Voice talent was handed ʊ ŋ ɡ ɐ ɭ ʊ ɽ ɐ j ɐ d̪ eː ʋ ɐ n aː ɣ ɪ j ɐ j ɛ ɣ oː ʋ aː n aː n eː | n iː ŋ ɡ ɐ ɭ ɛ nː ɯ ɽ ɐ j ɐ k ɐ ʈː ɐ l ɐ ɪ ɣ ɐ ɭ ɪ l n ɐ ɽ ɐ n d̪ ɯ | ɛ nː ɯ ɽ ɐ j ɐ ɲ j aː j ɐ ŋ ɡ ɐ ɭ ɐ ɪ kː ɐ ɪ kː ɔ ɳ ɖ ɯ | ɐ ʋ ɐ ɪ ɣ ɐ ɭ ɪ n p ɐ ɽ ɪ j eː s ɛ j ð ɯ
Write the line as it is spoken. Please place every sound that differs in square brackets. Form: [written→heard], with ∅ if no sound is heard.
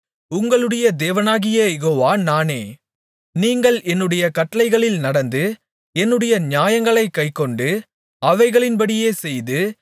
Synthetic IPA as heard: ʊ ŋ ɡ ɐ ɭ [ʊ→ɯ] ɽ ɐ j ɐ d̪ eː ʋ ɐ n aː ɣ ɪ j ɐ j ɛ ɣ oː ʋ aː n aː n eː | n iː ŋ ɡ ɐ ɭ ɛ nː ɯ ɽ ɐ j ɐ k ɐ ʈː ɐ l ɐ ɪ ɣ ɐ ɭ ɪ l n ɐ ɽ ɐ n d̪ ɯ | ɛ nː ɯ ɽ ɐ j ɐ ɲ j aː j ɐ ŋ ɡ ɐ ɭ ɐ ɪ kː ɐ ɪ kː ɔ ɳ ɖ ɯ | ɐ ʋ ɐ ɪ ɣ ɐ ɭ ɪ n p ɐ ɽ ɪ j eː s ɛ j ð ɯ

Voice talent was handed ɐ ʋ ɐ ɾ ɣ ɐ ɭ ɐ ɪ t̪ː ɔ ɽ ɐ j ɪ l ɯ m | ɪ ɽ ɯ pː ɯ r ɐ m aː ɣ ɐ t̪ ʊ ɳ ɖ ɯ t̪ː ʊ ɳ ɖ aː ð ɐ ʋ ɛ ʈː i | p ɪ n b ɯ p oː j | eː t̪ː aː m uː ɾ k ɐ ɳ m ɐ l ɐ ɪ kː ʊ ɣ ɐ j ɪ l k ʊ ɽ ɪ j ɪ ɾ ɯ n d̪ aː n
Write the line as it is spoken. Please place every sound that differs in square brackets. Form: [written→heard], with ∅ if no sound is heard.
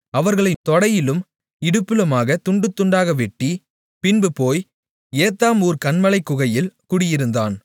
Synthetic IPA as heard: ɐ ʋ ɐ ɾ ɣ ɐ ɭ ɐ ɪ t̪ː ɔ ɽ ɐ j ɪ l ɯ m | ɪ ɽ ɯ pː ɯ [r→l] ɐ m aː ɣ ɐ t̪ ʊ ɳ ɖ ɯ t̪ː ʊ ɳ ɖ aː [ð→ɣ] ɐ ʋ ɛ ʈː i | p ɪ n b ɯ p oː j | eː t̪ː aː m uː ɾ k ɐ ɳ m ɐ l ɐ ɪ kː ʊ ɣ ɐ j ɪ l k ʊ ɽ ɪ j ɪ ɾ ɯ n d̪ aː n

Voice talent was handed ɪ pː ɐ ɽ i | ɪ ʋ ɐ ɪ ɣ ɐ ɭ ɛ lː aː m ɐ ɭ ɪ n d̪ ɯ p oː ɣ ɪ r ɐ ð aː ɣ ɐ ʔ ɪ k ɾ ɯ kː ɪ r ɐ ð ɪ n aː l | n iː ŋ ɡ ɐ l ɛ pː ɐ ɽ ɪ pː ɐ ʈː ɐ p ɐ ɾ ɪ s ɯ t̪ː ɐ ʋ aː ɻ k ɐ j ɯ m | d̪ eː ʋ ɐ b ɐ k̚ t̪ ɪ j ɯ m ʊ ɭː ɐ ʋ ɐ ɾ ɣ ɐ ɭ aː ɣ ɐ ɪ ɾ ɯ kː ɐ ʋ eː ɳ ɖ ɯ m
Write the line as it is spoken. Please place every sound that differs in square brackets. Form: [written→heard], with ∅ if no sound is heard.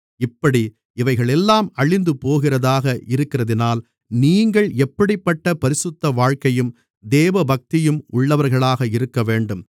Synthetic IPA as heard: ɪ pː ɐ ɽ i | ɪ ʋ ɐ ɪ ɣ ɐ ɭ ɛ lː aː m ɐ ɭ ɪ n d̪ ɯ p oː ɣ ɪ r ɐ ð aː ɣ ɐ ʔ ɪ [k→∅] ɾ ɯ kː ɪ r ɐ ð ɪ n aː l | n iː ŋ ɡ ɐ [l→ɭ] ɛ pː ɐ ɽ ɪ pː ɐ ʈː ɐ p ɐ ɾ ɪ s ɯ t̪ː ɐ ʋ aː ɻ k ɐ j ɯ m | d̪ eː ʋ ɐ b ɐ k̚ t̪ ɪ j ɯ m ʊ ɭː ɐ ʋ ɐ ɾ ɣ ɐ ɭ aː ɣ ɐ ɪ ɾ ɯ kː ɐ ʋ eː ɳ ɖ ɯ m

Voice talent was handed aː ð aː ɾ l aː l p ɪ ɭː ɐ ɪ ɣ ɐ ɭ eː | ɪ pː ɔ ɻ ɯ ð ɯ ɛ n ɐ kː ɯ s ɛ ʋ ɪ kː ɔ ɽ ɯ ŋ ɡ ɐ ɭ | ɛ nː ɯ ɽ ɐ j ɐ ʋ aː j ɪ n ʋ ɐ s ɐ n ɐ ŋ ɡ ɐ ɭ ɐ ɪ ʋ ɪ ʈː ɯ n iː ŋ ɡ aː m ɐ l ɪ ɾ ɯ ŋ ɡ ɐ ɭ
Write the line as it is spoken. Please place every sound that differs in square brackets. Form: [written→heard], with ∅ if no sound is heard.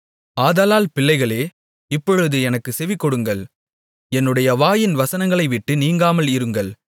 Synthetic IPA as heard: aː ð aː [ɾ→∅] l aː l p ɪ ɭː ɐ ɪ ɣ ɐ ɭ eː | ɪ pː ɔ ɻ ɯ ð ɯ ɛ n ɐ kː ɯ s ɛ ʋ ɪ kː ɔ ɽ ɯ ŋ ɡ ɐ ɭ | ɛ nː ɯ ɽ ɐ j ɐ ʋ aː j ɪ n ʋ ɐ s ɐ n ɐ ŋ ɡ ɐ ɭ ɐ ɪ ʋ ɪ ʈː ɯ n iː ŋ ɡ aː m ɐ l ɪ ɾ ɯ ŋ ɡ ɐ ɭ

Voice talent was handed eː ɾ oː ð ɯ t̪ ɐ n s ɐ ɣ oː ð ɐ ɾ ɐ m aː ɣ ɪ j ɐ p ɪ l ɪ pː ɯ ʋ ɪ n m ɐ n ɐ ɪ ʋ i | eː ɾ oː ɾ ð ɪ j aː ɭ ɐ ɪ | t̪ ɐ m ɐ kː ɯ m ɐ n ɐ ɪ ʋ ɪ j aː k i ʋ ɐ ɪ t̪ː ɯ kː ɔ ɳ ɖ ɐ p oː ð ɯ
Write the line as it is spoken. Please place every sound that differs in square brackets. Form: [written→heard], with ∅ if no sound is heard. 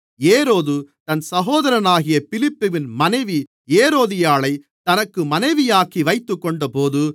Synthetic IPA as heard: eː ɾ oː ð ɯ t̪ ɐ n s ɐ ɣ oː ð ɐ ɾ ɐ [m→n] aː ɣ ɪ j ɐ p ɪ l ɪ pː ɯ ʋ ɪ n m ɐ n ɐ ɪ ʋ i | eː ɾ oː [ɾ→∅] ð ɪ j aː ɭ ɐ ɪ | t̪ ɐ [m→n] ɐ kː ɯ m ɐ n ɐ ɪ ʋ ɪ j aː k i ʋ ɐ ɪ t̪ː ɯ kː ɔ ɳ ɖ ɐ p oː ð ɯ

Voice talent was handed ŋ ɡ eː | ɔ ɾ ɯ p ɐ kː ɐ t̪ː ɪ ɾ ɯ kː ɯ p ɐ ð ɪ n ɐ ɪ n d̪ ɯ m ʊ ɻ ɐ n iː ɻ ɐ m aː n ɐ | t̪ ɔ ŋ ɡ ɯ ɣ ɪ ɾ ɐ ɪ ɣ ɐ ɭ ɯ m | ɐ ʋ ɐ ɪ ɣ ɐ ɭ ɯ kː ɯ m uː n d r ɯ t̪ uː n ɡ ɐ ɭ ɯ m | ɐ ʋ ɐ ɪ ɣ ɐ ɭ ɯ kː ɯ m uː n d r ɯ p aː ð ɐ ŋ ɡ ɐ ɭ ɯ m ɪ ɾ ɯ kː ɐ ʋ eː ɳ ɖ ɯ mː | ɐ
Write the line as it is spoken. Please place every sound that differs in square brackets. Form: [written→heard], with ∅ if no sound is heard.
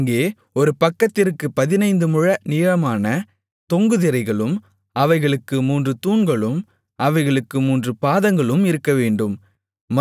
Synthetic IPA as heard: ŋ ɡ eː | ɔ ɾ ɯ p ɐ kː ɐ t̪ː ɪ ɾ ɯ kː ɯ p ɐ ð ɪ n ɐ ɪ n d̪ ɯ m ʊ ɻ ɐ n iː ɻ ɐ m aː n ɐ | t̪ ɔ ŋ ɡ ɯ [ɣ→ð] ɪ ɾ ɐ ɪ ɣ ɐ ɭ ɯ m | ɐ ʋ ɐ ɪ ɣ ɐ ɭ ɯ kː ɯ m uː n d r ɯ t̪ uː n ɡ ɐ ɭ ɯ m | ɐ ʋ ɐ ɪ ɣ ɐ ɭ ɯ kː ɯ m uː n d r ɯ p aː ð ɐ ŋ ɡ ɐ ɭ ɯ m ɪ ɾ ɯ kː ɐ ʋ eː ɳ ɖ ɯ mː | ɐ

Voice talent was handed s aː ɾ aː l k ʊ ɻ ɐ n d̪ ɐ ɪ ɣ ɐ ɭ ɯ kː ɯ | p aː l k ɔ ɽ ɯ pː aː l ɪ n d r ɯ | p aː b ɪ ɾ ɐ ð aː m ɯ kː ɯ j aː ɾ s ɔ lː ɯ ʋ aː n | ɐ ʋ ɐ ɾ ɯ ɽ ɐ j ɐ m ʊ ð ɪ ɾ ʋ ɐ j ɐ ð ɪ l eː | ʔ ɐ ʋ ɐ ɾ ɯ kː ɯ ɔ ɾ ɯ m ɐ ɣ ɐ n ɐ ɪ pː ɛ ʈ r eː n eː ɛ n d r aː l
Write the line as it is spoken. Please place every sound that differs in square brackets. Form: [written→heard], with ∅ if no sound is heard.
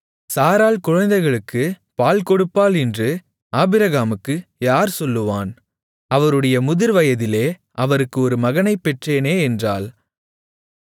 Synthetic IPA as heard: s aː ɾ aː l k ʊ ɻ ɐ n d̪ ɐ ɪ ɣ ɐ ɭ ɯ kː ɯ | p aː l k ɔ ɽ ɯ pː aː l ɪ n d r ɯ | p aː b ɪ ɾ ɐ [ð→ɣ] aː m ɯ kː ɯ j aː ɾ s ɔ lː ɯ ʋ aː n | ɐ ʋ ɐ ɾ ɯ ɽ ɐ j ɐ m ʊ ð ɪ ɾ ʋ ɐ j ɐ ð ɪ l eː | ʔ ɐ ʋ ɐ ɾ ɯ kː ɯ ɔ ɾ ɯ m ɐ ɣ ɐ n ɐ ɪ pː ɛ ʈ r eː n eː ɛ n d r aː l

